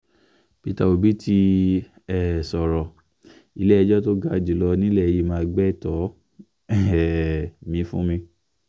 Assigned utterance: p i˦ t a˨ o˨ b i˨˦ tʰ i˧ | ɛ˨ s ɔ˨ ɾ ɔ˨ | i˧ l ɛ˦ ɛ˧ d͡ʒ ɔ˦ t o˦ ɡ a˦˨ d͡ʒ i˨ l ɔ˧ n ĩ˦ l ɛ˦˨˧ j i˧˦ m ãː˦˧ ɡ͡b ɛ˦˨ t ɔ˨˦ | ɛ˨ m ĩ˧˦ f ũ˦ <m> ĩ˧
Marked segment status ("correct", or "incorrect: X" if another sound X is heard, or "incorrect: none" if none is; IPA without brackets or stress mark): correct